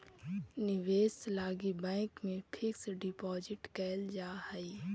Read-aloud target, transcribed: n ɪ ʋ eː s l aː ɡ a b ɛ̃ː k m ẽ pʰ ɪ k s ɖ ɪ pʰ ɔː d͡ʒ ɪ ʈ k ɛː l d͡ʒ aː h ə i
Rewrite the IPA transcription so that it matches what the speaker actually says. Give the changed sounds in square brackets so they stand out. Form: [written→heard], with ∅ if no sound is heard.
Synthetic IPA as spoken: n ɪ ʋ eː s l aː ɡ [a→i] b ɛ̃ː k m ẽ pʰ ɪ k s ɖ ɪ [pʰ→p] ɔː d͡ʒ ɪ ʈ k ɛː l d͡ʒ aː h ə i